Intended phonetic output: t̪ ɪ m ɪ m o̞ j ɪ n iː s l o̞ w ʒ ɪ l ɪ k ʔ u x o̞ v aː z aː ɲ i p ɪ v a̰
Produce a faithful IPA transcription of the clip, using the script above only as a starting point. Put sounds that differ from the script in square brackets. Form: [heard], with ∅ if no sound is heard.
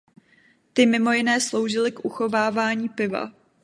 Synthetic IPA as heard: t̪ ɪ m ɪ m o̞ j ɪ n [ɛː] s l o̞ w ʒ ɪ l ɪ k ʔ u x o̞ v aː [v] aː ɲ [iː] p ɪ v a̰